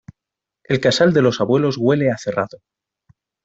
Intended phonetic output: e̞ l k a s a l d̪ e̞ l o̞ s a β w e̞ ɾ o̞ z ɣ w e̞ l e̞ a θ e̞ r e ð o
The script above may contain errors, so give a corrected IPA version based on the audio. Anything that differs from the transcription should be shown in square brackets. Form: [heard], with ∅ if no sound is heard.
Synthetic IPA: e̞ l k a s a l d̪ e̞ l o̞ s a β w e̞ [l] o̞ z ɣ w e̞ l e̞ a θ e̞ r [a] ð o